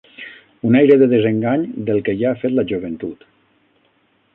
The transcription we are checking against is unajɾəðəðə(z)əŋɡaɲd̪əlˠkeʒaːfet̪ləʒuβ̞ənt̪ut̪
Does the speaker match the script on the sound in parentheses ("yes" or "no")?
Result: yes